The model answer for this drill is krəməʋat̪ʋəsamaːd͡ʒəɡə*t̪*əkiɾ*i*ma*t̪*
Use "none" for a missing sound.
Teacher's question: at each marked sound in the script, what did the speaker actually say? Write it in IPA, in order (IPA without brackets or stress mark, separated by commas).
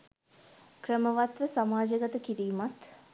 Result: t̪, iː, t̪